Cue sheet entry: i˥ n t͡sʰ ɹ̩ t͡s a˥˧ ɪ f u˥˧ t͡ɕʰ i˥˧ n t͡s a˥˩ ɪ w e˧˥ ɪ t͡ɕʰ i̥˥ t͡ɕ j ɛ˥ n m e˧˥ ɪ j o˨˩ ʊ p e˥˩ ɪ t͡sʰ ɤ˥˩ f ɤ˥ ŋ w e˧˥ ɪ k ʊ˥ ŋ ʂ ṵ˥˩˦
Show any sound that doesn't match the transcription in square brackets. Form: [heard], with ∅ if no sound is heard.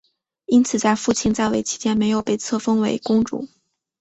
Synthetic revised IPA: i˥ n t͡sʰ ɹ̩ t͡s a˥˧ ɪ f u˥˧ t͡ɕʰ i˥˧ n t͡s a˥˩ ɪ w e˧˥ ɪ t͡ɕʰ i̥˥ t͡ɕ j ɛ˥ n m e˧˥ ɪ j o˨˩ ʊ p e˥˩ ɪ t͡sʰ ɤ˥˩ f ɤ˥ ŋ w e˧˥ ɪ k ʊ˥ ŋ [ʈ͡ʂ] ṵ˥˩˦